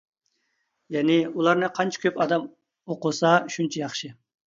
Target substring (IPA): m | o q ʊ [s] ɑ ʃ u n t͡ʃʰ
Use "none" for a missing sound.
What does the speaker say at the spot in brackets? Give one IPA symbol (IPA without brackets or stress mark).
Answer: s